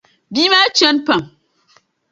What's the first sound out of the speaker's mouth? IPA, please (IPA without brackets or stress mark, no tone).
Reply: b